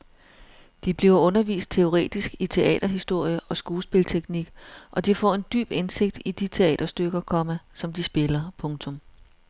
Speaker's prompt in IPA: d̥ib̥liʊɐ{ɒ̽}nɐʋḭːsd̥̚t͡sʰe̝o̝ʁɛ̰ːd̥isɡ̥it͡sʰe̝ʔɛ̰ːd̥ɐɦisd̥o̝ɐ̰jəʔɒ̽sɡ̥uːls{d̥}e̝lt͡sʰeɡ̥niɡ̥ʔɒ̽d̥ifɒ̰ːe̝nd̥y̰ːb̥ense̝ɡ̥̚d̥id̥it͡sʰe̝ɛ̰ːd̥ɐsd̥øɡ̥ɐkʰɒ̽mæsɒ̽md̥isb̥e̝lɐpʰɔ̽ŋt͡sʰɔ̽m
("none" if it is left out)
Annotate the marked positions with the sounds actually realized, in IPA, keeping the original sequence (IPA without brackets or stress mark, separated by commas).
ɔ̽, b̥